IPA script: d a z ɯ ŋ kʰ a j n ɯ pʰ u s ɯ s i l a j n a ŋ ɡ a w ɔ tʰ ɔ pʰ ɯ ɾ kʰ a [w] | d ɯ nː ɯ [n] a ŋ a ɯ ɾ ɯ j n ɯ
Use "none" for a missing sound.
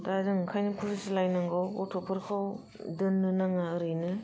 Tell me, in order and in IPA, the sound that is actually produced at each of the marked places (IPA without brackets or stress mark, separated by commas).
w, n